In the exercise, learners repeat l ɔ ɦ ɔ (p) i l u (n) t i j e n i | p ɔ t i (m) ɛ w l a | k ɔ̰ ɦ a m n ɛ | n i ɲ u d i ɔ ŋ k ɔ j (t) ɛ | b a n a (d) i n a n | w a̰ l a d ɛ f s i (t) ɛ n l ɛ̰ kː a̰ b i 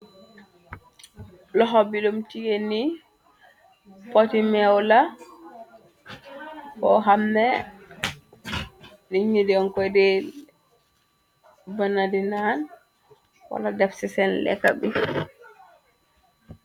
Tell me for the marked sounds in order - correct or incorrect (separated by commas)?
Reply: incorrect, incorrect, correct, incorrect, correct, incorrect